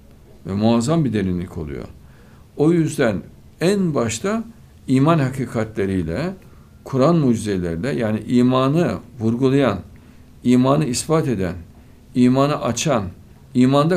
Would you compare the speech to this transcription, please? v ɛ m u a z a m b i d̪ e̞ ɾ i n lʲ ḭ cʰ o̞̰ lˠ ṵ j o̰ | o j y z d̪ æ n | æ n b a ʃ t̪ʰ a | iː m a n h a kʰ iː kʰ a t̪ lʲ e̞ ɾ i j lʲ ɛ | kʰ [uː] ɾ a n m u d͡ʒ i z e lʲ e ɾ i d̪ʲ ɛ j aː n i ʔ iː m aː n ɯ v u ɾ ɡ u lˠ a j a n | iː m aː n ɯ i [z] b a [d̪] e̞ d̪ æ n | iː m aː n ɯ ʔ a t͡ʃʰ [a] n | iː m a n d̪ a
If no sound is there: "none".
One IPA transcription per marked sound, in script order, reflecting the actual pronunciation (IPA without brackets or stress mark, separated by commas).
u, s, t̪, a